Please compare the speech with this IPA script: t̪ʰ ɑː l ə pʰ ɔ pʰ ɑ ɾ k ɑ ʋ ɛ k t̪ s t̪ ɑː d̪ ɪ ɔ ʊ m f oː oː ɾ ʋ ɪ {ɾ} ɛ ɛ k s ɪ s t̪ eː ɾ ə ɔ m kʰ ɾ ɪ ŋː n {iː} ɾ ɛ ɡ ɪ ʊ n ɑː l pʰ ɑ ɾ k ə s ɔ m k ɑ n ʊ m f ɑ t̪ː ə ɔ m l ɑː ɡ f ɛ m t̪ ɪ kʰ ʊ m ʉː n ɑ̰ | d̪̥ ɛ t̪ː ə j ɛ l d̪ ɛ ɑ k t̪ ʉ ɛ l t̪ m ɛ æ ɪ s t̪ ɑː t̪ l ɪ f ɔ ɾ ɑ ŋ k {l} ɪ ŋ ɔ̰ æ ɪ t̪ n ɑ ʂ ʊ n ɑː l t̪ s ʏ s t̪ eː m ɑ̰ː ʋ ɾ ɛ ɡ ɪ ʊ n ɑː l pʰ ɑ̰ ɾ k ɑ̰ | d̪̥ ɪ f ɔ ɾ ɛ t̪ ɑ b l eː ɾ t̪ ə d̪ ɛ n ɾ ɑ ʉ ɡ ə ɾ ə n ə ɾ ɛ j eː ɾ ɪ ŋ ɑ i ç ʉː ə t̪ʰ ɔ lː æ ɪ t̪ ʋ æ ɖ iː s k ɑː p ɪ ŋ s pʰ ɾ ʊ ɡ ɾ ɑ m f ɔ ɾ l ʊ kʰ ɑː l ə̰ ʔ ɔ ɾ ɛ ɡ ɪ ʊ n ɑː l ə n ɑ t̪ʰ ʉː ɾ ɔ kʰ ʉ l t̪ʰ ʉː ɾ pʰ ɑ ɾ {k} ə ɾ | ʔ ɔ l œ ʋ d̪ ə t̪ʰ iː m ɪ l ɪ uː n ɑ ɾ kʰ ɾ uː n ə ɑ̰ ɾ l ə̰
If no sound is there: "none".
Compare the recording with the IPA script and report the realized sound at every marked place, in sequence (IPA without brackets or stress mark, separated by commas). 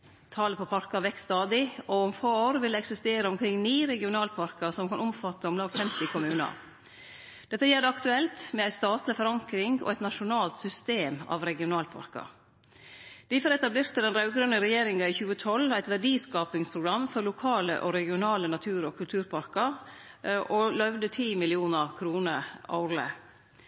l, iː, ɾ, k